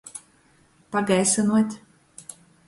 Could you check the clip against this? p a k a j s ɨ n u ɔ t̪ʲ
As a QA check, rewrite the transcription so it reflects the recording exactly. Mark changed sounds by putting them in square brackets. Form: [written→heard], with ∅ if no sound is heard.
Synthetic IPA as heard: p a [k→ɡ] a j s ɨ n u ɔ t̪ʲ